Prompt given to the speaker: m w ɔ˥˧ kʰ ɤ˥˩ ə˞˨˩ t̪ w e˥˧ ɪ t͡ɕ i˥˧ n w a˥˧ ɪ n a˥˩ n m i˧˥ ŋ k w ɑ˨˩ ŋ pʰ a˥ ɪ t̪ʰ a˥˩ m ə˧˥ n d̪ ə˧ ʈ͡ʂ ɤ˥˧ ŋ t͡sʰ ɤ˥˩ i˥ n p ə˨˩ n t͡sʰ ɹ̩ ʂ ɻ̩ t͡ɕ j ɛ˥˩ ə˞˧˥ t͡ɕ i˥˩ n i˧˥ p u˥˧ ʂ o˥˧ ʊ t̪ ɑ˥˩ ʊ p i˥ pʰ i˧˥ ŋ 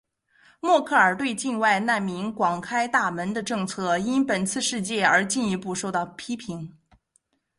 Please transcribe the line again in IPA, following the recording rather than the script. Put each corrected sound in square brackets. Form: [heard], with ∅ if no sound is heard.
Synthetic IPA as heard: m w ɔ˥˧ kʰ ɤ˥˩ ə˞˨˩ t̪ w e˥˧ ɪ t͡ɕ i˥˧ n w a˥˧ ɪ n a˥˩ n m i˧˥ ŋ k w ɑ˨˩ ŋ [kʰ] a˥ ɪ [t̪] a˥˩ m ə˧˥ n d̪ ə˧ ʈ͡ʂ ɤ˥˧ ŋ t͡sʰ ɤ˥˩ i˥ n p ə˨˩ n t͡sʰ ɹ̩ ʂ ɻ̩ t͡ɕ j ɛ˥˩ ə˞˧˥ t͡ɕ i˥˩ n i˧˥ p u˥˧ ʂ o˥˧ ʊ t̪ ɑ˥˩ ʊ [pʰ] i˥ pʰ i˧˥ ŋ